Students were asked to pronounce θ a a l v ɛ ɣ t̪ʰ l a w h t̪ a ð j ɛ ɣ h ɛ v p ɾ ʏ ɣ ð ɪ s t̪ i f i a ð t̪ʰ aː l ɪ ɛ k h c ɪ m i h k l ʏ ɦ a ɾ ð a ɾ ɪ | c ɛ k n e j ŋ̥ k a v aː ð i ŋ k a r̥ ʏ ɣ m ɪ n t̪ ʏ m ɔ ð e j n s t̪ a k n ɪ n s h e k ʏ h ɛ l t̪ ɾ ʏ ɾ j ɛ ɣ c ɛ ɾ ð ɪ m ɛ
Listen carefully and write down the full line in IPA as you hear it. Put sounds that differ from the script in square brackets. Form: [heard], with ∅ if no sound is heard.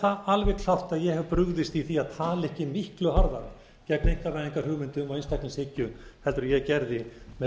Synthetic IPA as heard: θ a a l v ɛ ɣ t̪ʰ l a w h t̪ a ð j ɛ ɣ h ɛ v p ɾ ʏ ɣ ð ɪ s t̪ i [θ] i a ð t̪ʰ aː l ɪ ɛ [∅] h c ɪ m i h k l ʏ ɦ a ɾ ð a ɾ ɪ | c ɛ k n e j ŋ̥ k a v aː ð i ŋ k a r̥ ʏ ɣ m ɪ n t̪ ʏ m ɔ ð e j n s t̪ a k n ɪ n s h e [c] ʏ h ɛ l t̪ ɾ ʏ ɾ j ɛ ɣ c ɛ ɾ ð ɪ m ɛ